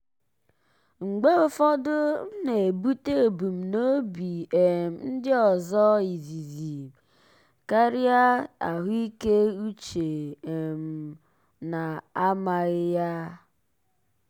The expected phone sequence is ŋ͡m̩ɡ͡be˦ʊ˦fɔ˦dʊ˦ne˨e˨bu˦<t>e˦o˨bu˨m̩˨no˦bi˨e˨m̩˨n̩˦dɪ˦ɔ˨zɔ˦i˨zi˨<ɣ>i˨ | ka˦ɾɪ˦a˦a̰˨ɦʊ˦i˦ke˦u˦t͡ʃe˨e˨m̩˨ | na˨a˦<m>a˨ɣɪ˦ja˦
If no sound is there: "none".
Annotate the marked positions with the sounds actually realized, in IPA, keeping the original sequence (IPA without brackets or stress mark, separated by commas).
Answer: t, z, m